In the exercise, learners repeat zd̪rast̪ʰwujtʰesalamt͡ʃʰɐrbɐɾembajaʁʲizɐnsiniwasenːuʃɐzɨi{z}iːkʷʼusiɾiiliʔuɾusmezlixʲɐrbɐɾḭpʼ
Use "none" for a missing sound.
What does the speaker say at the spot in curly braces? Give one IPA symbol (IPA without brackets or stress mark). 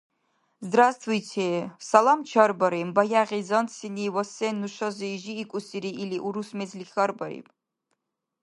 ʒ